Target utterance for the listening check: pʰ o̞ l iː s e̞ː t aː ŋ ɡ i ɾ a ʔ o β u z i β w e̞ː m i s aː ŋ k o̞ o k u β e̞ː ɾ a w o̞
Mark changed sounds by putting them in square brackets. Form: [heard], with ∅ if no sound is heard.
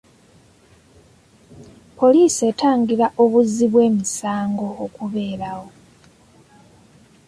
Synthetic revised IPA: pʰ o̞ l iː s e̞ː t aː ŋ ɡ i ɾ a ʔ o β u z i β w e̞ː m i s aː ŋ [ɡ] o̞ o k u β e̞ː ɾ a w o̞